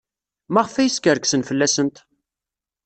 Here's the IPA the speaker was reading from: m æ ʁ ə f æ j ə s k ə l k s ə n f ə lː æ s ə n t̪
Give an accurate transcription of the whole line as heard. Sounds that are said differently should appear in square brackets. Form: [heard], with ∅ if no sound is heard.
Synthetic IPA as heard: m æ ʁ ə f æ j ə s k ə [ɾ] k s ə n f ə lː æ s ə n t̪